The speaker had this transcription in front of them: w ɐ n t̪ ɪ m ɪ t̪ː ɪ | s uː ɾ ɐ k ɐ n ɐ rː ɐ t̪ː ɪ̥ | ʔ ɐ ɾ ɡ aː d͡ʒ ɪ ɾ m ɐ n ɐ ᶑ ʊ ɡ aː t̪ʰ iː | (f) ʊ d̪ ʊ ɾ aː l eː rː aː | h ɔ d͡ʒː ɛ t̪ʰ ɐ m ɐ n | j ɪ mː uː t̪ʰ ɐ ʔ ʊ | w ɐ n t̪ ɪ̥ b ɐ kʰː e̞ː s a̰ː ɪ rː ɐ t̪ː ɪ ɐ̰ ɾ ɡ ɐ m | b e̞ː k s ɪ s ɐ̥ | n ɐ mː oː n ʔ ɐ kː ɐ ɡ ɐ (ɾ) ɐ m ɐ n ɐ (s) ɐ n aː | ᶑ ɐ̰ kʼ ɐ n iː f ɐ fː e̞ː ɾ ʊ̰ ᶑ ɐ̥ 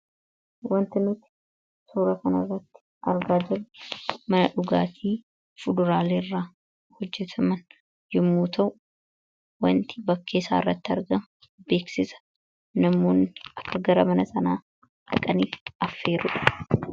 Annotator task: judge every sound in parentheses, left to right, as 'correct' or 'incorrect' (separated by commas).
correct, correct, correct